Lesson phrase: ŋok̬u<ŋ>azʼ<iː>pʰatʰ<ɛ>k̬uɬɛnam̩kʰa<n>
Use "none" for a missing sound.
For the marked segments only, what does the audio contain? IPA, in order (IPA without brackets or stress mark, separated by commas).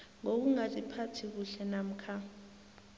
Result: ŋ, i, i, none